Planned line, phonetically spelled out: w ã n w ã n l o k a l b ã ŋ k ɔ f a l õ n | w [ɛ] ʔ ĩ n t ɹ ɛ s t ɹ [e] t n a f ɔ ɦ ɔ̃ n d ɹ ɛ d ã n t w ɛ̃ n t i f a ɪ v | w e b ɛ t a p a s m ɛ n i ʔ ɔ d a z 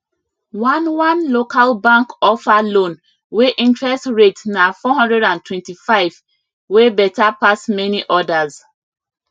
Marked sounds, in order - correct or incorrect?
incorrect: e, correct

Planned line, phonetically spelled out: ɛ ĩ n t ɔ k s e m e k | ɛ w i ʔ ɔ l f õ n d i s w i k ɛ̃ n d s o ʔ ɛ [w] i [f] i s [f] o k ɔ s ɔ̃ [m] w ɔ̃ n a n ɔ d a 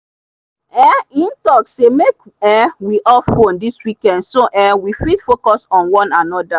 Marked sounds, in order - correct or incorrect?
correct, correct, correct, incorrect: n

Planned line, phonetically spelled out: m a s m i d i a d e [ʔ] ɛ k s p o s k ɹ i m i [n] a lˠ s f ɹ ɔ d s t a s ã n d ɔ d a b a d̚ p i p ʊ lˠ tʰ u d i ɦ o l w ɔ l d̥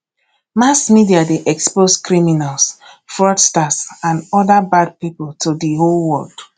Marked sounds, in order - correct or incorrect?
correct, correct

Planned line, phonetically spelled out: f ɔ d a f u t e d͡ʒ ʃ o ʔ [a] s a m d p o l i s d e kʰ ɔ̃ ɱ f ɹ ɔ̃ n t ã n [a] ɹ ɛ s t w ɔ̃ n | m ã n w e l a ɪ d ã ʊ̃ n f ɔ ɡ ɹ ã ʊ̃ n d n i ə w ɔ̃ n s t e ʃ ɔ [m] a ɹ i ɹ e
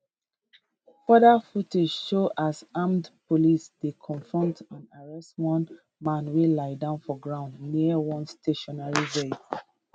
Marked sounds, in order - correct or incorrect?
correct, correct, incorrect: n

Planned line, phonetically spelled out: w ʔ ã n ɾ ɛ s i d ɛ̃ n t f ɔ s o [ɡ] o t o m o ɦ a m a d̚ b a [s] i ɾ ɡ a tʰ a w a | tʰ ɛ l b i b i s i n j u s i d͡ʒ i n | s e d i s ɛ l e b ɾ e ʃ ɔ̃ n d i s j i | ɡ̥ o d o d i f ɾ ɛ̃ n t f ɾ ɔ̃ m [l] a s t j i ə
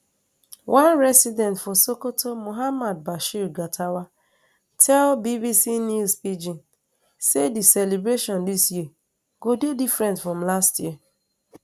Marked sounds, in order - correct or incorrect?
incorrect: k, incorrect: ʃ, correct

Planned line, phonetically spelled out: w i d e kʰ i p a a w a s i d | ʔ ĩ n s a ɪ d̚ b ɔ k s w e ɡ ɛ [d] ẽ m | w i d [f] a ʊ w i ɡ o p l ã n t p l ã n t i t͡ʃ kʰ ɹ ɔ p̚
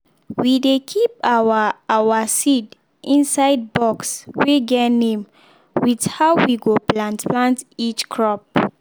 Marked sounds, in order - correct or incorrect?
incorrect: n, incorrect: h

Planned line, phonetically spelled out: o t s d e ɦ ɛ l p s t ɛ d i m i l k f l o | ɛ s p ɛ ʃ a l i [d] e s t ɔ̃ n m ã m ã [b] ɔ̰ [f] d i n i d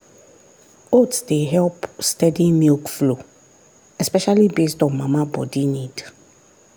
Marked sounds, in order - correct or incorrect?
incorrect: b, correct, incorrect: none

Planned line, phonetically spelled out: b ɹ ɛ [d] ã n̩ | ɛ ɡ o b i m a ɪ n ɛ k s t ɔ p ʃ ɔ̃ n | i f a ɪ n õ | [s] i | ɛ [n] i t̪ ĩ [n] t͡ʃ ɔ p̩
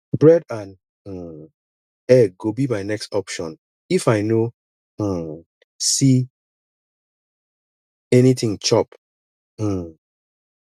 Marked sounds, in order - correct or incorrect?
correct, correct, correct, incorrect: ŋ

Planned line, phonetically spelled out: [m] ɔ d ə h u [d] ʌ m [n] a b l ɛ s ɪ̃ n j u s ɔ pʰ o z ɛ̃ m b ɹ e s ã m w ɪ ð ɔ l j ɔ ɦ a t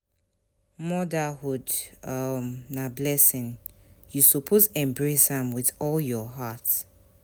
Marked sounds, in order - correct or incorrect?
correct, correct, correct

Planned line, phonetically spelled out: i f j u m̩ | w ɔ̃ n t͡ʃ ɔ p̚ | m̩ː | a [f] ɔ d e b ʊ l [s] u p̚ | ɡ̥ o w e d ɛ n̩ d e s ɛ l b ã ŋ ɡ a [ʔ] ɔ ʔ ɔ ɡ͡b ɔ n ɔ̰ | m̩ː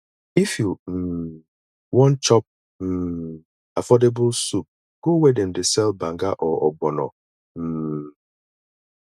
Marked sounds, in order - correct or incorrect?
correct, correct, correct

